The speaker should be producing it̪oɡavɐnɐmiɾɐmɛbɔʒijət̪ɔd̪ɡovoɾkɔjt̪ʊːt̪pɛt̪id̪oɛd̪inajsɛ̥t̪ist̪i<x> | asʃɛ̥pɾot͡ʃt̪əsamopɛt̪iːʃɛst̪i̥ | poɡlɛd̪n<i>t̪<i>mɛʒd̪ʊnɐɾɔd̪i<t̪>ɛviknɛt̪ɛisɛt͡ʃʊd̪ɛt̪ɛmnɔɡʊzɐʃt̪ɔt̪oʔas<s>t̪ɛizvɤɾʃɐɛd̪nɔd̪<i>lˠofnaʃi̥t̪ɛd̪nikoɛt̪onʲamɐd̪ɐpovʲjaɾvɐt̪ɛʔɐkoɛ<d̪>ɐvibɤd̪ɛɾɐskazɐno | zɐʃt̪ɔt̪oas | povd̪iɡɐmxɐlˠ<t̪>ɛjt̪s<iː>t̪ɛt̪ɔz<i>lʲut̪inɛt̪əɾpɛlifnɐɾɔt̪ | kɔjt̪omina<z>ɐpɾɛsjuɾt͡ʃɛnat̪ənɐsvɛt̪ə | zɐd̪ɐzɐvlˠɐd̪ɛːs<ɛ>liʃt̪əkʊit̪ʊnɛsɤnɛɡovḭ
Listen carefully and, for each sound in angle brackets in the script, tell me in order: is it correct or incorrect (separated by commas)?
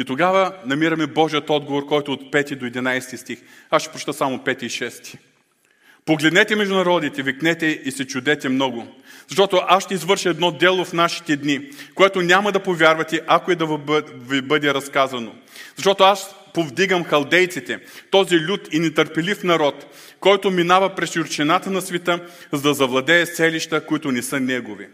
correct, incorrect, incorrect, correct, incorrect, incorrect, correct, incorrect, incorrect, correct, incorrect, correct